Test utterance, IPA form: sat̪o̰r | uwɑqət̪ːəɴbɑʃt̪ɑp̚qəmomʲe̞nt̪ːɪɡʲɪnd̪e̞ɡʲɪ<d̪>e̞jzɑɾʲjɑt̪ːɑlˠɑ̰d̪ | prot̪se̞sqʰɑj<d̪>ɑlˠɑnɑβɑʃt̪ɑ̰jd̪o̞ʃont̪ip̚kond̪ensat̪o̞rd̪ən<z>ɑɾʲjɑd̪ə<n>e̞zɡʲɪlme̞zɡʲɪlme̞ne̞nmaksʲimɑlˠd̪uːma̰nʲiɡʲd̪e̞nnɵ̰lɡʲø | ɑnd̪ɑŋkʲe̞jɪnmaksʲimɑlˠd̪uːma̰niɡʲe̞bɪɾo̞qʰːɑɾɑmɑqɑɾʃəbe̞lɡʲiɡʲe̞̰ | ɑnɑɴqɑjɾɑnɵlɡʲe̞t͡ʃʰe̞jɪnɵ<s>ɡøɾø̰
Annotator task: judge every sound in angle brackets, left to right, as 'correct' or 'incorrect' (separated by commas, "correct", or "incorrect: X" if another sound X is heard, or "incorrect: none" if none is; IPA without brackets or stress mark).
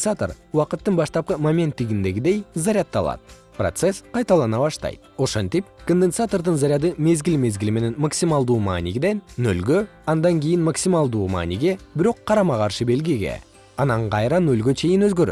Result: correct, incorrect: t̪, correct, incorrect: m, incorrect: z